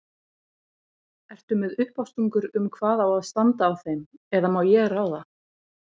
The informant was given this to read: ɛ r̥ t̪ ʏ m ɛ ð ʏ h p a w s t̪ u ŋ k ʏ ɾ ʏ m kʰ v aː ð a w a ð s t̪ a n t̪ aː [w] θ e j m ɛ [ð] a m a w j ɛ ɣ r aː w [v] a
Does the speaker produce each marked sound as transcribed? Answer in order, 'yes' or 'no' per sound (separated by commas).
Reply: yes, yes, no